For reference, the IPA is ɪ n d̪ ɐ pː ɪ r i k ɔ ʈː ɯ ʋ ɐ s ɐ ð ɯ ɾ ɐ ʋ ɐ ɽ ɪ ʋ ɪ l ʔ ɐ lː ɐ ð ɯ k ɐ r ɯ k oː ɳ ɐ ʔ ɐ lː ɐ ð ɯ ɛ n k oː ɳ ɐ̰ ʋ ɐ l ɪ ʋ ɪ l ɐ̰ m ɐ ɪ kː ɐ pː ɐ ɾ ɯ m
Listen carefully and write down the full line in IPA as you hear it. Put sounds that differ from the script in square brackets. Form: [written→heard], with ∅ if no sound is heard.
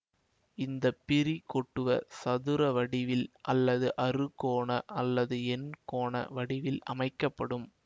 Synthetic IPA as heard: ɪ n d̪ ɐ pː ɪ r i k ɔ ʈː ɯ ʋ ɐ s ɐ ð ɯ ɾ ɐ ʋ ɐ ɽ ɪ ʋ ɪ l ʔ ɐ lː ɐ ð ɯ [k→ʔ] ɐ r ɯ k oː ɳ ɐ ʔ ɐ lː ɐ ð ɯ ɛ n k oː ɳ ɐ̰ ʋ ɐ [l→ɽ] ɪ ʋ ɪ l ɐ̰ m ɐ ɪ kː ɐ pː ɐ [ɾ→ɽ] ɯ m